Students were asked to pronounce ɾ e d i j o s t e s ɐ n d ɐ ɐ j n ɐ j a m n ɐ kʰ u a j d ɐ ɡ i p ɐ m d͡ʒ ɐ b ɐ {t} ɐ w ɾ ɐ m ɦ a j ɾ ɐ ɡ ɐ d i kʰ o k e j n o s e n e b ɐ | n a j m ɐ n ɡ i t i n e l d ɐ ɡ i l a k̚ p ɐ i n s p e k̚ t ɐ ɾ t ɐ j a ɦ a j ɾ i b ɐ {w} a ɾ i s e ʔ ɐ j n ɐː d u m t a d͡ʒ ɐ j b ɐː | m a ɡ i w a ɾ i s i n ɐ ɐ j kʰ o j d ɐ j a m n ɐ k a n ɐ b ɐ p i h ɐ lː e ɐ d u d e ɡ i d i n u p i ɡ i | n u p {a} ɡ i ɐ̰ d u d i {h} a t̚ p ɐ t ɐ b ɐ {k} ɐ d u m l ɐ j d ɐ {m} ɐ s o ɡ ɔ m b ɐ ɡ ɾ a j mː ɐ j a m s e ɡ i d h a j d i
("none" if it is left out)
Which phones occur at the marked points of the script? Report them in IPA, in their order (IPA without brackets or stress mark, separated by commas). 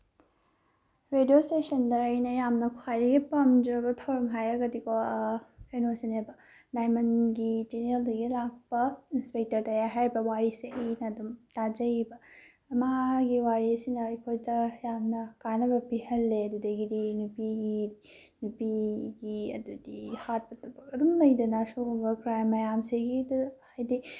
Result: tʰ, w, i, h, k, n